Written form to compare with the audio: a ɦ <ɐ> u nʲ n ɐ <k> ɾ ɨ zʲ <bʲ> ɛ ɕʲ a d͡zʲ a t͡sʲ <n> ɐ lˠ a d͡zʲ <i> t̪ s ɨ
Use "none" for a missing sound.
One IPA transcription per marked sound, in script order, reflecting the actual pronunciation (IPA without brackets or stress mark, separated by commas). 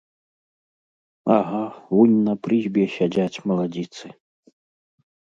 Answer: a, p, bʲ, m, i